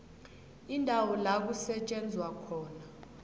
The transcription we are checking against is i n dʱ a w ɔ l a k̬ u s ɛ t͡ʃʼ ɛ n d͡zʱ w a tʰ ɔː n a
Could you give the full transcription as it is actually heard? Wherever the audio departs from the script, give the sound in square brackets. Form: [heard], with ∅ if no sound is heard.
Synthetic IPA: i n dʱ a w ɔ l a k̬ u s ɛ t͡ʃʼ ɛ n d͡zʱ w a [kʰ] ɔː n a